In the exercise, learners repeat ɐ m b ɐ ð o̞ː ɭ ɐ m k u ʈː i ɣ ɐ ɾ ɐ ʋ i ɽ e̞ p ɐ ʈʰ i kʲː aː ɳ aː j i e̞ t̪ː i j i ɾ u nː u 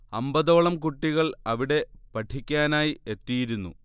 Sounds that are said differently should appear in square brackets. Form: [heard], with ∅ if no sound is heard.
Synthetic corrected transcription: ɐ m b ɐ ð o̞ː ɭ ɐ m k u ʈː i ɣ ɐ [ɭ] ɐ ʋ i ɽ e̞ p ɐ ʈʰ i kʲː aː [n] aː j i e̞ t̪ː i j i ɾ u nː u